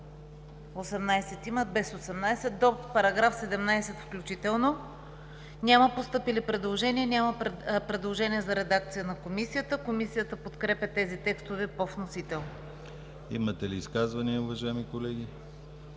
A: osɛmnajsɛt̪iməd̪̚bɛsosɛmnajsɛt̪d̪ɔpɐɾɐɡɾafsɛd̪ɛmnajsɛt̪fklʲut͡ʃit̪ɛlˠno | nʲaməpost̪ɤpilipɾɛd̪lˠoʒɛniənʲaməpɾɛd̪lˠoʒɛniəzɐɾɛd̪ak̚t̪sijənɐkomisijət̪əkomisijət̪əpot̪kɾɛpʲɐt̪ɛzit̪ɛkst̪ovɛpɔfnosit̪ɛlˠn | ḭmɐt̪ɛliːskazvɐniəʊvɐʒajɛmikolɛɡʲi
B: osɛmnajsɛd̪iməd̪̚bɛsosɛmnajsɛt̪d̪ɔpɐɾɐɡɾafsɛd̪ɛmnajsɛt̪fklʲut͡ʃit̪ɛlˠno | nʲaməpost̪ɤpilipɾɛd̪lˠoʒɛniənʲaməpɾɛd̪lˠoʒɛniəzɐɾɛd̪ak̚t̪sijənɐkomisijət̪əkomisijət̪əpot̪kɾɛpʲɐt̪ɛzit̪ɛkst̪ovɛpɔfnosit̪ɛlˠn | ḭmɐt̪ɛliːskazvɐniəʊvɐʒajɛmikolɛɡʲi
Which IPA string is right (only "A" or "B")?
A